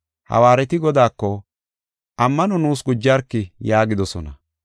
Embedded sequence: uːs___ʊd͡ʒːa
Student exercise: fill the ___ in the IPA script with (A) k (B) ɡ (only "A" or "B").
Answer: B